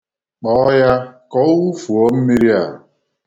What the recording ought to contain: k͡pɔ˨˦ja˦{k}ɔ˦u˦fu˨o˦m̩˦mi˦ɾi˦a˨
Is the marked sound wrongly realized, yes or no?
no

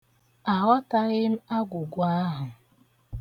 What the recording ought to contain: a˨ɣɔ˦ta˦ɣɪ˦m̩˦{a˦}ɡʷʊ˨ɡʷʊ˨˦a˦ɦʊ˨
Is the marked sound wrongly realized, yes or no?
no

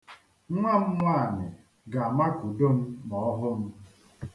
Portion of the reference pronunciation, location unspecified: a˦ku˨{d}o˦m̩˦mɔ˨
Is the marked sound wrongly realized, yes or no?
no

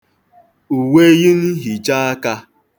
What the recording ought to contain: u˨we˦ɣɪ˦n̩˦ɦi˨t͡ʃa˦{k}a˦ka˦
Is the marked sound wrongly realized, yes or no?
yes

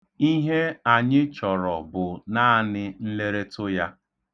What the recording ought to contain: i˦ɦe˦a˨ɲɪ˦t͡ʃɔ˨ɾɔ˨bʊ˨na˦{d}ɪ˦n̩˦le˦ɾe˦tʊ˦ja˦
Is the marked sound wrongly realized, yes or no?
yes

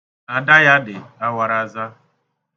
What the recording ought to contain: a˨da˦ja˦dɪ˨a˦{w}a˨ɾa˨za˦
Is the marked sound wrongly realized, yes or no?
no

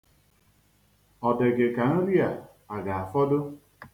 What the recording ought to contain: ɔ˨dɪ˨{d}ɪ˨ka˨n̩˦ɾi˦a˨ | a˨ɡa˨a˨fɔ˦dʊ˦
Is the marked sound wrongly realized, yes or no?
yes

